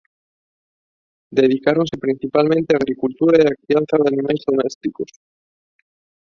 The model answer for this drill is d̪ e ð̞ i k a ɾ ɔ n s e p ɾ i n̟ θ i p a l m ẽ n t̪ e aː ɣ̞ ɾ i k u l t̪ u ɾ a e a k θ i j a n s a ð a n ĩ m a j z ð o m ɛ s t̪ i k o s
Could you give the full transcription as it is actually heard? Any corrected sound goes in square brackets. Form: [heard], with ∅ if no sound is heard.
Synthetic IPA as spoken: d̪ e ð̞ i k a ɾ [o] n s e p ɾ i n̟ θ i p a l m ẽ n t̪ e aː ɣ̞ ɾ i k u l t̪ u ɾ a e a k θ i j a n [θ] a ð a n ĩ m a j z ð o m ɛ s t̪ i k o s